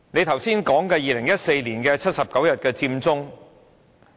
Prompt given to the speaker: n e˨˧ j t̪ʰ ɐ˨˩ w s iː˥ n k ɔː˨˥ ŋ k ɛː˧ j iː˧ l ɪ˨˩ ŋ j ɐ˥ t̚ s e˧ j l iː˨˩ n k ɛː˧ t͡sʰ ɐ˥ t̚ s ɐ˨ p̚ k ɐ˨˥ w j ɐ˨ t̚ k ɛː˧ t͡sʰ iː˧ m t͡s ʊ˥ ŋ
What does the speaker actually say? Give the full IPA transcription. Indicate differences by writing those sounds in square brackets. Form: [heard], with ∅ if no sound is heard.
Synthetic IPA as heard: n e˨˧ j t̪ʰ ɐ˨˩ w s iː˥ n k ɔː˨˥ ŋ k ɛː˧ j iː˧ l ɪ˨˩ ŋ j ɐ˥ t̚ s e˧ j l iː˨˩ n k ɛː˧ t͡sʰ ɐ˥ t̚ s ɐ˨ p̚ k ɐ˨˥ w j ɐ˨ t̚ k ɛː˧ [t͡s] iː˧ m t͡s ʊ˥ ŋ